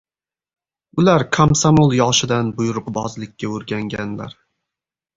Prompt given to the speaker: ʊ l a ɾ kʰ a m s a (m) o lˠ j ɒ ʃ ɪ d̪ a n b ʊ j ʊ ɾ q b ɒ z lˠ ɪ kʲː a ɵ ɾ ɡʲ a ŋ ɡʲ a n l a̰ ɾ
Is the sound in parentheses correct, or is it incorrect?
correct